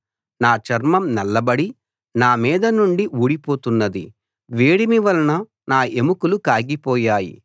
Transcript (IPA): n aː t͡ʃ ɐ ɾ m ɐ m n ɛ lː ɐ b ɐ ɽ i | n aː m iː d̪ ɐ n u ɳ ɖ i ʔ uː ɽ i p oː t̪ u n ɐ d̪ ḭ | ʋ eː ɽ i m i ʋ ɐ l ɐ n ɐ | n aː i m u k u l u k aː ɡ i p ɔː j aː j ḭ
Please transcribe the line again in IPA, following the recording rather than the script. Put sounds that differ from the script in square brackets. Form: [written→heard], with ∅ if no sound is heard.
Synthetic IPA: n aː t͡ʃ ɐ ɾ m ɐ m n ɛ lː ɐ b ɐ ɽ i | n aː m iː d̪ ɐ n u ɳ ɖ i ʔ uː ɽ i p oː t̪ u [n→nː] ɐ d̪ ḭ | ʋ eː ɽ i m i ʋ ɐ l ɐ n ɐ | n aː [i→e] m u k u l u k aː ɡ i p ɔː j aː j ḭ

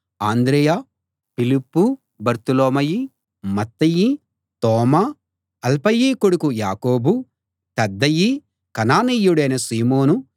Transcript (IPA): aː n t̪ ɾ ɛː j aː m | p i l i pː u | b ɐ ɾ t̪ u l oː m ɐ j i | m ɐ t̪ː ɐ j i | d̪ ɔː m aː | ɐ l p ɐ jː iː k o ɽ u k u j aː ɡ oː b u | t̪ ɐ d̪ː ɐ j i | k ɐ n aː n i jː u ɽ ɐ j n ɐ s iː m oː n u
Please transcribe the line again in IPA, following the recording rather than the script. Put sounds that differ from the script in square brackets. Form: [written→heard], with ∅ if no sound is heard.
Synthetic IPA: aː n [t̪→d̪] ɾ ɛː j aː [m→∅] | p i l i pː u | b ɐ ɾ t̪ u l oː m ɐ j i | m ɐ t̪ː ɐ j i | [d̪→t̪] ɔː m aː | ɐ l p ɐ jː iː k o ɽ u k u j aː [ɡ→k] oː b u | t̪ ɐ d̪ː ɐ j i | k ɐ n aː n i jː u ɽ ɐ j n ɐ s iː m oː n u

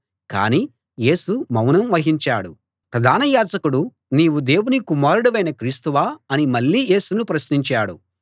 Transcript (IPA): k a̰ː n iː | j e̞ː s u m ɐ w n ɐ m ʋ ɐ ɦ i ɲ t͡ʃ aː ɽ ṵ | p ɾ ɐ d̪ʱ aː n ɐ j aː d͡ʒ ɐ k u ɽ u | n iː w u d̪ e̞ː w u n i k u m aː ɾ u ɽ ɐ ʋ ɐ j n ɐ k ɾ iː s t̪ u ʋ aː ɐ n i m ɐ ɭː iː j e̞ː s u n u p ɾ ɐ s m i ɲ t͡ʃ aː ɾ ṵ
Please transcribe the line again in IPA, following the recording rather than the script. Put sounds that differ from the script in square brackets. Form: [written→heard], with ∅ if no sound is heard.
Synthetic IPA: k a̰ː n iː | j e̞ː s u m ɐ w n ɐ m ʋ ɐ ɦ i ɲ t͡ʃ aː ɽ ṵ | p ɾ ɐ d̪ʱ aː n ɐ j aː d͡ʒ ɐ k u ɽ u | n iː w u d̪ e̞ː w u n i k u m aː ɾ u ɽ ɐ ʋ ɐ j n ɐ k ɾ iː s t̪ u ʋ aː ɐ n i m ɐ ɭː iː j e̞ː s u n u p ɾ ɐ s [m→n] i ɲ t͡ʃ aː [ɾ→ɽ] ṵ

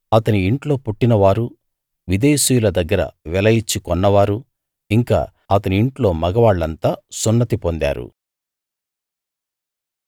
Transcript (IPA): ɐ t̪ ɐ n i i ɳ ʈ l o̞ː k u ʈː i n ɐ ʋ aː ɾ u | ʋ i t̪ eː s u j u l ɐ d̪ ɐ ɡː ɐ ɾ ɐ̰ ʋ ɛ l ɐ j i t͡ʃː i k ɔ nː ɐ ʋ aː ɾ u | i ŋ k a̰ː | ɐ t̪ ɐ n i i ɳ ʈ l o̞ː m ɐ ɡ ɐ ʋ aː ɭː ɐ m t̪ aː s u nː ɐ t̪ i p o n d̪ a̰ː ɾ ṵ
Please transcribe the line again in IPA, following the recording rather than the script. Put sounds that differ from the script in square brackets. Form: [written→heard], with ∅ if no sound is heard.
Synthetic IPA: ɐ t̪ ɐ n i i ɳ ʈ l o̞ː [k→p] u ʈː i n ɐ ʋ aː ɾ u | ʋ i [t̪→d̪] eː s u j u l ɐ d̪ ɐ ɡː ɐ ɾ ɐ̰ ʋ ɛ l ɐ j i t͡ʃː i k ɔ nː ɐ ʋ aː ɾ u | i ŋ k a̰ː | ɐ t̪ ɐ n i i ɳ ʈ l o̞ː m ɐ ɡ ɐ ʋ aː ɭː ɐ [m→n] t̪ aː s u nː ɐ t̪ i p o n d̪ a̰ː ɾ ṵ

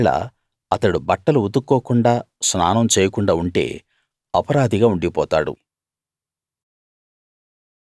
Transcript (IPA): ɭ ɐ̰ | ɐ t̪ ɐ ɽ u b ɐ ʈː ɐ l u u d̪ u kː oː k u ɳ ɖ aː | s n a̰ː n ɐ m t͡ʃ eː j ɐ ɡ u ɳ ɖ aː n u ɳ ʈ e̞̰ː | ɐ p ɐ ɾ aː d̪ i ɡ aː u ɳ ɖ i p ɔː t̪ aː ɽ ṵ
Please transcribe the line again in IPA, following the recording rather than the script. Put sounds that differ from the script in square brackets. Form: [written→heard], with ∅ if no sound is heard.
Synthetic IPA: ɭ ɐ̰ | ɐ t̪ ɐ ɽ u b ɐ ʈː ɐ l u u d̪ u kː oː k u ɳ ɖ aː | s n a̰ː n ɐ m t͡ʃ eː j ɐ [ɡ→k] u ɳ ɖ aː [n→∅] u ɳ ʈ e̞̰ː | ɐ p ɐ ɾ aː d̪ i ɡ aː u ɳ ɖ i p ɔː t̪ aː ɽ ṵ

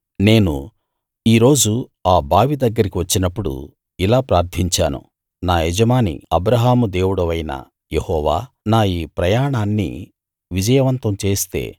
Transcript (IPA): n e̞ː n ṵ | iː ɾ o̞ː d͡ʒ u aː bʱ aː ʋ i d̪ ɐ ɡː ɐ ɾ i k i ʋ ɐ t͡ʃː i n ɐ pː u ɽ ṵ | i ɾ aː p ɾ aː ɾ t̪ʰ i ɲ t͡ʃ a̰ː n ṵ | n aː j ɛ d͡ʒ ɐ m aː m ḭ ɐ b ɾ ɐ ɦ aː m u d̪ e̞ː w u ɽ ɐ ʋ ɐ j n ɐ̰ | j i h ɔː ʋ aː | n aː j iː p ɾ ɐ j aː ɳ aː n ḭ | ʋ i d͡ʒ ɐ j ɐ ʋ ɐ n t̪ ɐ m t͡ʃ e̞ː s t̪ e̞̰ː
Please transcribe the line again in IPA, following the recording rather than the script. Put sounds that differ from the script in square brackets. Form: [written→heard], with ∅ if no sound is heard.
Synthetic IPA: n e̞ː n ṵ | iː ɾ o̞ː d͡ʒ u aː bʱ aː ʋ i d̪ ɐ ɡː ɐ ɾ i k i ʋ ɐ t͡ʃː i n ɐ pː u ɽ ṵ | i [ɾ→l] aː p ɾ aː ɾ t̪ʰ i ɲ t͡ʃ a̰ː n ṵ | n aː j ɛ d͡ʒ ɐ m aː [m→n] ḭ ɐ b ɾ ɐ ɦ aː m u d̪ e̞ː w u ɽ ɐ ʋ ɐ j n ɐ̰ | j [i→e] h ɔː ʋ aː | n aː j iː p ɾ ɐ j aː ɳ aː [n→nː] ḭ | ʋ i d͡ʒ ɐ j ɐ ʋ ɐ n t̪ ɐ m t͡ʃ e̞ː s t̪ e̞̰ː

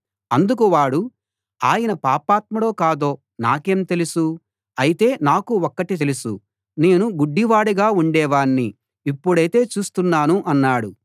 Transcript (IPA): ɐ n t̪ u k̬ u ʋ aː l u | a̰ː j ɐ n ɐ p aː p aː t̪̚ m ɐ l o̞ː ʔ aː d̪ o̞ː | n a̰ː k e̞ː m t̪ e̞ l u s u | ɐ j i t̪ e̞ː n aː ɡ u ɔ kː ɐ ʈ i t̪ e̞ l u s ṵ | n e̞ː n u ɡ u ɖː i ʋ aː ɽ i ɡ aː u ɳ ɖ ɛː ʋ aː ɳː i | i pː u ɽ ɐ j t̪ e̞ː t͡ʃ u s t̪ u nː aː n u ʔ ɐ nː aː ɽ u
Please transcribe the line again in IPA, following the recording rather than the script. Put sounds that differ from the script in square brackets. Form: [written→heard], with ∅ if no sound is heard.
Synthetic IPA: ɐ n [t̪→d̪] u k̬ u ʋ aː [l→ɽ] u | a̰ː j ɐ n ɐ p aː p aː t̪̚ m ɐ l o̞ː [ʔ→k] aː d̪ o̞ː | n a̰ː k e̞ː m t̪ e̞ l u s u | ɐ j i t̪ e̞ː n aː [ɡ→k] u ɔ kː ɐ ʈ i t̪ e̞ l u s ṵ | n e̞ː n u ɡ u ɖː i ʋ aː ɽ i ɡ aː u ɳ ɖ ɛː ʋ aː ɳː i | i pː u ɽ ɐ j t̪ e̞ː t͡ʃ [u→uː] s t̪ u nː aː n u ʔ ɐ nː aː ɽ u

